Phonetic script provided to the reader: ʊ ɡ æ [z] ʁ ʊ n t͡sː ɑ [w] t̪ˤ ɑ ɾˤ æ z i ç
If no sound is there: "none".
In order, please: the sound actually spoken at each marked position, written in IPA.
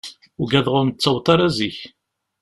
ð, w

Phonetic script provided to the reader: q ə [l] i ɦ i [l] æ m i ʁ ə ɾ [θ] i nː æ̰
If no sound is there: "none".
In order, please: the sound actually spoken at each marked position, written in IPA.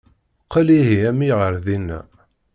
l, none, ð

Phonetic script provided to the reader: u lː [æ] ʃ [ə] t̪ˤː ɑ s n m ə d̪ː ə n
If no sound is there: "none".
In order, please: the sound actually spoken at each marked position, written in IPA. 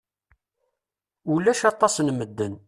æ, ɑ

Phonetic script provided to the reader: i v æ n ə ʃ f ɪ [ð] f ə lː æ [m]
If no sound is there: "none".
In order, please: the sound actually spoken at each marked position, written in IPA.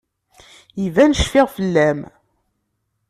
ʁ, m

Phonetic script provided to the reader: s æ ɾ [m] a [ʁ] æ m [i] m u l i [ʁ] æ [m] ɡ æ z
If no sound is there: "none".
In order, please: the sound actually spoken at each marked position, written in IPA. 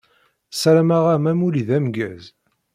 m, ʁ, æ, ð, m

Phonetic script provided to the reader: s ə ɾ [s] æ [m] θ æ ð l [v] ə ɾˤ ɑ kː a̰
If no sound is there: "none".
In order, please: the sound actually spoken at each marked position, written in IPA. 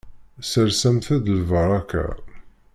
s, m, v

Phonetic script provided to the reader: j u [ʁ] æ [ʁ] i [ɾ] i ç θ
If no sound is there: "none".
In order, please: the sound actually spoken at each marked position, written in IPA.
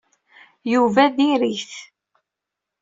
v, ð, ɾ

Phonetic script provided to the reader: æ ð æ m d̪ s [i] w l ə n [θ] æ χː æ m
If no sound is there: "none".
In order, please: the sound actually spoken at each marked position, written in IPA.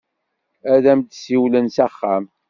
i, s

